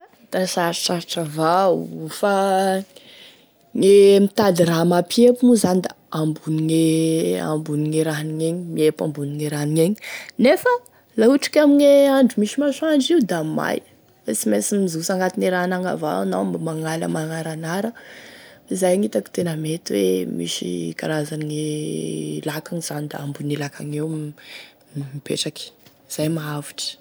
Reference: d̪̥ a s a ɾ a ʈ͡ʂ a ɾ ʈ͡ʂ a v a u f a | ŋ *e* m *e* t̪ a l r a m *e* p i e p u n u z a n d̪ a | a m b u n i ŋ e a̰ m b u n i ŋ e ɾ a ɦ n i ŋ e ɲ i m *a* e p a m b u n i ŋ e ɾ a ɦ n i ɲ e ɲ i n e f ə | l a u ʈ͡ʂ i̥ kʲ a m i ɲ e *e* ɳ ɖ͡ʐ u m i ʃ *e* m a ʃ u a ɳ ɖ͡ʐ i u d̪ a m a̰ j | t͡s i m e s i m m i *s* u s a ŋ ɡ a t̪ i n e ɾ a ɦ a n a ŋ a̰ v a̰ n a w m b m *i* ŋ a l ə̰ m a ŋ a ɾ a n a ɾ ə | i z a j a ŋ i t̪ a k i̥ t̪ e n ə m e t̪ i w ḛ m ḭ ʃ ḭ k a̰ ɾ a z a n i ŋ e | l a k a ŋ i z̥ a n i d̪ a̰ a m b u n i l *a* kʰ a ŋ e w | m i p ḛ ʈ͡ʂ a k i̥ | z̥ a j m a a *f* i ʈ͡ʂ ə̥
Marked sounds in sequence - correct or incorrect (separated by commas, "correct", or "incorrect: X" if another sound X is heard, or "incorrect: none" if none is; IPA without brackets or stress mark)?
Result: correct, incorrect: i, incorrect: a, incorrect: i, incorrect: a, incorrect: i, incorrect: z, incorrect: a, correct, incorrect: v